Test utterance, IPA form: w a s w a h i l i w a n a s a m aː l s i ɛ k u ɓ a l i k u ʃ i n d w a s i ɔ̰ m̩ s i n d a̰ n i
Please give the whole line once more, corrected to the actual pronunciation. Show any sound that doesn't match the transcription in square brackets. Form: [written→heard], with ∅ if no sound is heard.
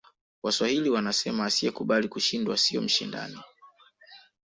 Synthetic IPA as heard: w a s w a h i l i w a n a s [a→ɛ] m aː [l→∅] s i ɛ k u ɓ a l i k u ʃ i n d w a s i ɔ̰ m̩ [s→ʃ] i n d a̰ n i